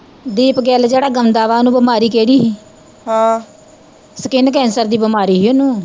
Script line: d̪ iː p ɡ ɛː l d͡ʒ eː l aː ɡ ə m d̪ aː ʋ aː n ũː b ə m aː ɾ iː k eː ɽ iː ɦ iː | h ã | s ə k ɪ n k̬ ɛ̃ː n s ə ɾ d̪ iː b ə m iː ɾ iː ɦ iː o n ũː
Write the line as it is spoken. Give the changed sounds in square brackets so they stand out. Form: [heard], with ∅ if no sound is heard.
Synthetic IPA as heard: d̪ iː p ɡ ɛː l d͡ʒ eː [ɽ] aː ɡ ə m d̪ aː ʋ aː n ũː b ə m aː ɾ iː k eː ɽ iː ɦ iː | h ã | s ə k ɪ n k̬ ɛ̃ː n s ə ɾ d̪ iː b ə m [aː] ɾ iː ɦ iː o n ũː